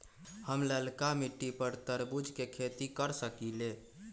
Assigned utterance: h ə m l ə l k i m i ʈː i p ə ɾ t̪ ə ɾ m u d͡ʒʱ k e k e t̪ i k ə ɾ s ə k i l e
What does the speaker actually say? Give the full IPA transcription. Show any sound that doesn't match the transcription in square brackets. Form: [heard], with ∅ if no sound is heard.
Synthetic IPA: h ə m l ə l k [a] m i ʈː i p ə ɾ t̪ ə ɾ [b] u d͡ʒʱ k e [kʰ] e t̪ i k ə ɾ s ə k i l e